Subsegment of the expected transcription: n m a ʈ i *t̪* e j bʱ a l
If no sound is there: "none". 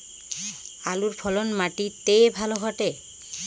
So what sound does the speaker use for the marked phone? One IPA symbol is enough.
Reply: t̪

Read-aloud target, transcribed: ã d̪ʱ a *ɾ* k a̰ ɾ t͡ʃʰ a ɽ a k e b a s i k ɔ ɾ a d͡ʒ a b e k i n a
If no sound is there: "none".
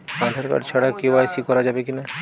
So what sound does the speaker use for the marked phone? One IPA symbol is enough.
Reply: ɾ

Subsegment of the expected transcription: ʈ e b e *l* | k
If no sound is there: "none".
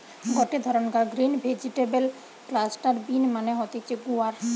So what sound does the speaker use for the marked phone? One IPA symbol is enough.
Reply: l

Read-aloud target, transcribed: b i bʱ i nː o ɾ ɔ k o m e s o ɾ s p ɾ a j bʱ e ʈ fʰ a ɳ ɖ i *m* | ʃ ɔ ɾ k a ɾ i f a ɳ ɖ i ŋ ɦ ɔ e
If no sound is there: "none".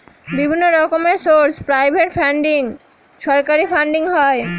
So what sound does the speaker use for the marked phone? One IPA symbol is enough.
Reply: ŋ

